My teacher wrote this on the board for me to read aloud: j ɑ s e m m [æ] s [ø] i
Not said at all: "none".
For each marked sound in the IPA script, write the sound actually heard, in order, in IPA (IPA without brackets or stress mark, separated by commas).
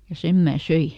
æː, ø